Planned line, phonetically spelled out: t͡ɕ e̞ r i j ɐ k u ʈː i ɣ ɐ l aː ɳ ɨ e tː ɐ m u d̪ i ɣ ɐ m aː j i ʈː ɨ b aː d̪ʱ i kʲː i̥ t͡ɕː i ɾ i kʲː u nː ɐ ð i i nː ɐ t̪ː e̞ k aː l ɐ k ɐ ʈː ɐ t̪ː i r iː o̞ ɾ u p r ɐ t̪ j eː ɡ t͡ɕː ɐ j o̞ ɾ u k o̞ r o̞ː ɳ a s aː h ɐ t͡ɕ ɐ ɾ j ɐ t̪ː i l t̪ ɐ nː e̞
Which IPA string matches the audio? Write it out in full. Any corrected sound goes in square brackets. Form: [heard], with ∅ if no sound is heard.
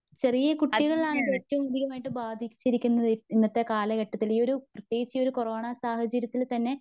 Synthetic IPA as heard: t͡ɕ e̞ r i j ɐ k u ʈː i ɣ ɐ [ɭ] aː ɳ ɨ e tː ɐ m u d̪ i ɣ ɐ m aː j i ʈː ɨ b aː d̪ʱ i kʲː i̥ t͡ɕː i ɾ i kʲː u nː ɐ ð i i nː ɐ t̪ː e̞ k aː l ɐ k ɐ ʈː ɐ t̪ː i [l] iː o̞ ɾ u p r ɐ t̪ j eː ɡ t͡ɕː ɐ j o̞ ɾ u k o̞ r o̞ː ɳ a s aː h ɐ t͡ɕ ɐ ɾ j ɐ t̪ː i l t̪ ɐ nː e̞